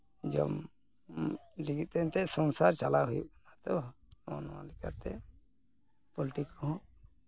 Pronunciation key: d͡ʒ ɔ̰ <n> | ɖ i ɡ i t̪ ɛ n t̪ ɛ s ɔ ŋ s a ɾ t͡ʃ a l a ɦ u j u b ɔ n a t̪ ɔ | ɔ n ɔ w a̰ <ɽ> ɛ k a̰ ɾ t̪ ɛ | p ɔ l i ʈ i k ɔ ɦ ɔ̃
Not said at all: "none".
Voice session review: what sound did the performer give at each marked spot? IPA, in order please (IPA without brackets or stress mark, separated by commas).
m, l